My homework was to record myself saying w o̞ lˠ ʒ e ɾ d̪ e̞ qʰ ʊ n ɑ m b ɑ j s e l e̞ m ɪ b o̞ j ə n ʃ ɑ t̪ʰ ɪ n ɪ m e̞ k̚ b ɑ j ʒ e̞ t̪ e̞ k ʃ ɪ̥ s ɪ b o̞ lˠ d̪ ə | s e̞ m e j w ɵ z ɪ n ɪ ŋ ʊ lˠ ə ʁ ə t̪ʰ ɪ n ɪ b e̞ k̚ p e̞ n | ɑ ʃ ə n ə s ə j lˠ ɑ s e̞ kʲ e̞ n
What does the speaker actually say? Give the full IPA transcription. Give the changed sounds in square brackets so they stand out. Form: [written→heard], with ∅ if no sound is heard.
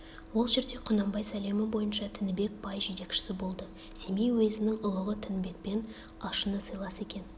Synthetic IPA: w o̞ lˠ ʒ e ɾ d̪ e̞ qʰ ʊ n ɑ m b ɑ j s [e→æ] l e̞ m ɪ b o̞ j ə n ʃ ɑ t̪ʰ ɪ n ɪ [m→b] e̞ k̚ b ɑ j ʒ e̞ t̪ e̞ k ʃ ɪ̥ s ɪ b o̞ lˠ d̪ ə | s e̞ m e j w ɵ z ɪ n ɪ ŋ ʊ lˠ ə ʁ ə t̪ʰ ɪ n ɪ b e̞ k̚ p e̞ n | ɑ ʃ ə n ə s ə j lˠ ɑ s e̞ kʲ e̞ n